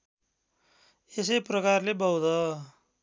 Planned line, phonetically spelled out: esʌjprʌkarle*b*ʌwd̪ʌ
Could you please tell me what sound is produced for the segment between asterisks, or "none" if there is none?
b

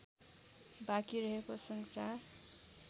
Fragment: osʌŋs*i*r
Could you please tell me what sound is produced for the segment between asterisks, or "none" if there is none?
a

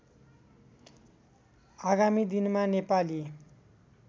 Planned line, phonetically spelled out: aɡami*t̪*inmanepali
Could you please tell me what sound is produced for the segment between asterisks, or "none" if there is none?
d̪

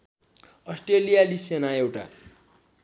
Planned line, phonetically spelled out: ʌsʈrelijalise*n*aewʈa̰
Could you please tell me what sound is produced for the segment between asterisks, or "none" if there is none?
n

